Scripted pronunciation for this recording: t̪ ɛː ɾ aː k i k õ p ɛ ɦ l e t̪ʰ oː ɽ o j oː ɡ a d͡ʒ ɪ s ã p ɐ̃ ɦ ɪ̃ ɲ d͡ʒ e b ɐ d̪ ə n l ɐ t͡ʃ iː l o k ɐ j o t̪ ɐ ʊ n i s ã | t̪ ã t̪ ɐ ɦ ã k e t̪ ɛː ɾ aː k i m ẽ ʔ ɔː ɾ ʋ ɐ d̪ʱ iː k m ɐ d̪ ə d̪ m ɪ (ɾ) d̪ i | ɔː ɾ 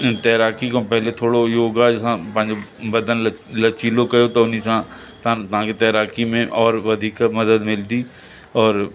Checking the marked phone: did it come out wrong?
yes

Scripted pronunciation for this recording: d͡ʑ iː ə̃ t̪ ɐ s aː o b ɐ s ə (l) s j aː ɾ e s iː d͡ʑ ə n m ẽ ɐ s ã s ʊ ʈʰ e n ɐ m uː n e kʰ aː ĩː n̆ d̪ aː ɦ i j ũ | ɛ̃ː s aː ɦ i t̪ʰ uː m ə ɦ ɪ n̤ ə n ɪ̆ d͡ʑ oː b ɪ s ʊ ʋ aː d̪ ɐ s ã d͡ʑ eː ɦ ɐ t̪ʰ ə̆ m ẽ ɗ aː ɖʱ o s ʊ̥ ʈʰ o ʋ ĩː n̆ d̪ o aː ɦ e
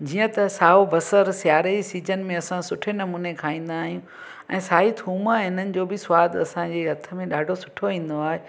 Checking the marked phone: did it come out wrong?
yes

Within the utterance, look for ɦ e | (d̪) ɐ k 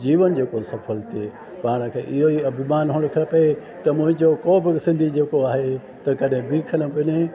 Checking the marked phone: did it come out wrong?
yes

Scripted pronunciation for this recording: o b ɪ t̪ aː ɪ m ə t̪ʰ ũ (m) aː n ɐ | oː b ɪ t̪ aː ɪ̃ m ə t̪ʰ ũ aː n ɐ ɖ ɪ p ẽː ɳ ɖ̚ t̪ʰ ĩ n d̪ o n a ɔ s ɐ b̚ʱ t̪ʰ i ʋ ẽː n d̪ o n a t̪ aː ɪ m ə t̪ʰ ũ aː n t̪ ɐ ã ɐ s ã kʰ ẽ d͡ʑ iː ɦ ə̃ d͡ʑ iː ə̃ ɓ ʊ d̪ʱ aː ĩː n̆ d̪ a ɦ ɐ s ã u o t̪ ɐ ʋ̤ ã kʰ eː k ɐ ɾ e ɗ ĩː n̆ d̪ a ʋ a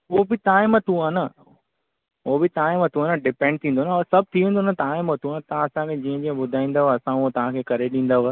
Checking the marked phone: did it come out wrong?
yes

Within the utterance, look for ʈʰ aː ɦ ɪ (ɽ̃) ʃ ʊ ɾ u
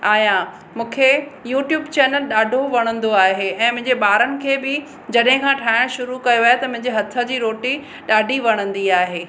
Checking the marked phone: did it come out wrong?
no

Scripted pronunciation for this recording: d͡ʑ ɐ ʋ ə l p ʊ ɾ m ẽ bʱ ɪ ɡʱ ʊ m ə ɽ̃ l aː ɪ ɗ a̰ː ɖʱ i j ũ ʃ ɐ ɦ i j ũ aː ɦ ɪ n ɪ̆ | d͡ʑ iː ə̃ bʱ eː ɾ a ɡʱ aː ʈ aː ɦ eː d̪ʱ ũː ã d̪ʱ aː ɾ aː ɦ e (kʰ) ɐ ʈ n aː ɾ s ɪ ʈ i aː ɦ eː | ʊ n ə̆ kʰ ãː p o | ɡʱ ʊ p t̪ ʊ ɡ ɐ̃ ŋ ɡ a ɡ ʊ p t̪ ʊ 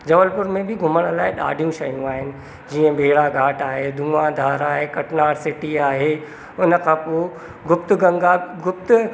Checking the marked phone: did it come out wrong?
yes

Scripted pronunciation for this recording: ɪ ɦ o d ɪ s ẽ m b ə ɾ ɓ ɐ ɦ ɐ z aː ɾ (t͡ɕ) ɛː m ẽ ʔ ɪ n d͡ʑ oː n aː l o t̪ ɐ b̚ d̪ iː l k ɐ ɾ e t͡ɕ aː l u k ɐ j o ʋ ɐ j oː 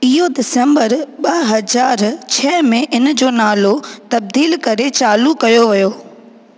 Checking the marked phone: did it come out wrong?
yes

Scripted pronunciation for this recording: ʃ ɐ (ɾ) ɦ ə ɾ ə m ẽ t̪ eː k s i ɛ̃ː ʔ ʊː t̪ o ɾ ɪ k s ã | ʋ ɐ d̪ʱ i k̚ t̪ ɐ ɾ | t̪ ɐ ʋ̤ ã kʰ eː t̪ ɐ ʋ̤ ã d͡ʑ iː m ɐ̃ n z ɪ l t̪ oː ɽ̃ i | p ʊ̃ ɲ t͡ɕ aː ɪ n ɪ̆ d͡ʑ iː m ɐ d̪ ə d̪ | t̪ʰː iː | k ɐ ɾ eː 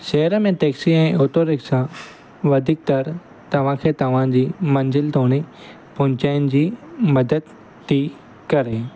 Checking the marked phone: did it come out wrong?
yes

